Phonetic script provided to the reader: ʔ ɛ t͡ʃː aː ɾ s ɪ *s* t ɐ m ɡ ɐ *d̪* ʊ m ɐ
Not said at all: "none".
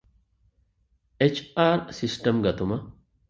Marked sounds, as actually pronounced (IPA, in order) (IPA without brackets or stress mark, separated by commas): s, t̪